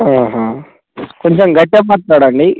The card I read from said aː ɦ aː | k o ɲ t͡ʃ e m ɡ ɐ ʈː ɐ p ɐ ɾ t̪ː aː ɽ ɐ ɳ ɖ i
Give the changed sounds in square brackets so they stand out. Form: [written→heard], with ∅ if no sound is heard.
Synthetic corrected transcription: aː ɦ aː | k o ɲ t͡ʃ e m ɡ ɐ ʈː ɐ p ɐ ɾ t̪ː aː ɽ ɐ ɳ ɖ i

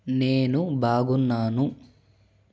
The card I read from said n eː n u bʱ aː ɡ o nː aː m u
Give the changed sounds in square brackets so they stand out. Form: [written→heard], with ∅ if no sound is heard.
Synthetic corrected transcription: n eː n u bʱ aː ɡ [o→u] nː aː [m→n] u

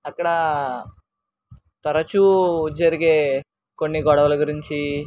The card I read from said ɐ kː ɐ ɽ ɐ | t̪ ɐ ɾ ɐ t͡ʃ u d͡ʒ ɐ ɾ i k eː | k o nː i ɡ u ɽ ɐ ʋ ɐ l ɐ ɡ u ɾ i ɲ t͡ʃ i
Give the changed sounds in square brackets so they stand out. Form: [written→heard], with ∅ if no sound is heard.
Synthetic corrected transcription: ɐ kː ɐ ɽ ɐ | t̪ ɐ ɾ ɐ t͡ʃ u d͡ʒ ɐ ɾ i [k→ɡ] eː | k o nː i ɡ [u→ɔ] ɽ ɐ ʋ ɐ l ɐ ɡ u ɾ i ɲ t͡ʃ i

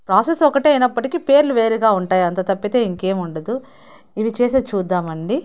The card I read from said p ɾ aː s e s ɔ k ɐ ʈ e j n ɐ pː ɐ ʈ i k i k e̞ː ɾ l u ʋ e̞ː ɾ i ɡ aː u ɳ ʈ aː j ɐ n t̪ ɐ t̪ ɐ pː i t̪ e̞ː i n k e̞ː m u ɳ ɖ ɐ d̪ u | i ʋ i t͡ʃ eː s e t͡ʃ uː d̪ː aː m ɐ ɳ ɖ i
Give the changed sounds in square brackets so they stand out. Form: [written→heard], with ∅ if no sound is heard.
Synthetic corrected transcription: p ɾ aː s e s ɔ k ɐ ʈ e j n ɐ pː ɐ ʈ i k i [k→p] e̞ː ɾ l u ʋ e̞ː ɾ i ɡ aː u ɳ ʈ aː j ɐ n t̪ ɐ t̪ ɐ pː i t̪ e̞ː i [n→ŋ] k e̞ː m u ɳ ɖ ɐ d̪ u | i ʋ i t͡ʃ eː s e t͡ʃ uː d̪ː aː m ɐ ɳ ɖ i

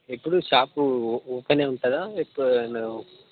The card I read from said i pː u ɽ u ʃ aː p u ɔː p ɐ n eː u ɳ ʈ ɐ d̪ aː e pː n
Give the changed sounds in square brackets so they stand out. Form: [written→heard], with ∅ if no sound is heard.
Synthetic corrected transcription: [i→e] pː u ɽ u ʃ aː p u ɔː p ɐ n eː u ɳ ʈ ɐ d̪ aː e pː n

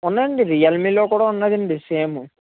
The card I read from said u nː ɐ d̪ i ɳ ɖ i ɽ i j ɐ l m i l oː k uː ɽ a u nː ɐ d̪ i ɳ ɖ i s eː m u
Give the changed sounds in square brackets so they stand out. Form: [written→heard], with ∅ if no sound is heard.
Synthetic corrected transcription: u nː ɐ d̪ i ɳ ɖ i [ɽ→ɾ] i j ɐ l m i l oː k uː ɽ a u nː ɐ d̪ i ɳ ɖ i s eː m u

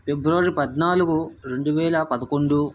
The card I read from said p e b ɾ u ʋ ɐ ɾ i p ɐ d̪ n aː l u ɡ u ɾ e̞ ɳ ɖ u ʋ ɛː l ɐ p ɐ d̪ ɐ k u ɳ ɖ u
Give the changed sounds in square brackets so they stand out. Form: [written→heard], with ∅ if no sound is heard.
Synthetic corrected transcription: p e b ɾ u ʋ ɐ ɾ i p ɐ d̪ n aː l u ɡ u ɾ e̞ ɳ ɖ u ʋ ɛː l ɐ p ɐ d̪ ɐ k [u→o] ɳ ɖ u

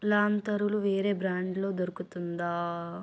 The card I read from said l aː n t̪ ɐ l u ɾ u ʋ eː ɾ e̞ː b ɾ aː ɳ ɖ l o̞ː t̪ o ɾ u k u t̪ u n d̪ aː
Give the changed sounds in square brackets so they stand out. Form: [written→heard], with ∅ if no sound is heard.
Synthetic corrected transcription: l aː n t̪ ɐ [l→ɾ] u [ɾ→l] u ʋ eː ɾ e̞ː b ɾ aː ɳ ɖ l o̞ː [t̪→d̪] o ɾ u k u t̪ u n d̪ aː

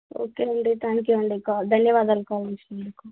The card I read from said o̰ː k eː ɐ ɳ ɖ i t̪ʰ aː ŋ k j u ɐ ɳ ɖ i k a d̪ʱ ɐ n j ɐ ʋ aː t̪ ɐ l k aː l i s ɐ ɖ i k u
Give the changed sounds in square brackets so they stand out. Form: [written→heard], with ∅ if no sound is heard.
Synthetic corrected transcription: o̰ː k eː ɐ ɳ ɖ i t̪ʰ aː ŋ k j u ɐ ɳ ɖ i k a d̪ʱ ɐ n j ɐ ʋ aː [t̪→d̪] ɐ l k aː l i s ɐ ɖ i k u

